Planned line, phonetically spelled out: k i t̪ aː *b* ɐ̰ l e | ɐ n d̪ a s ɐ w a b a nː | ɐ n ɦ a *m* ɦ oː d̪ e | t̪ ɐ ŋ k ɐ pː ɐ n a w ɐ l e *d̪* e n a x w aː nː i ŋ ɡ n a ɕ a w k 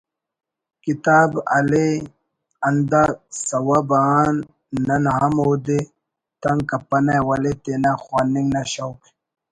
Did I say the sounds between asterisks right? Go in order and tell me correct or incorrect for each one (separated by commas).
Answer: correct, correct, incorrect